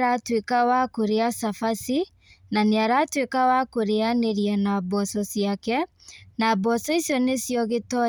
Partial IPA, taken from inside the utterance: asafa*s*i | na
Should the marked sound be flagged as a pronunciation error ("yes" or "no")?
no